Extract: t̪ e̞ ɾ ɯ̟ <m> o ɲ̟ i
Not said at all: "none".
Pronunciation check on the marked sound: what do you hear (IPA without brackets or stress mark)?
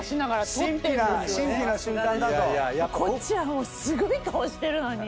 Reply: n